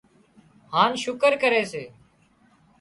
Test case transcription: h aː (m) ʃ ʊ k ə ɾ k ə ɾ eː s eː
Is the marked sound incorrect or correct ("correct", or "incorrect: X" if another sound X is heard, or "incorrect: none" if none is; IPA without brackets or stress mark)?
incorrect: n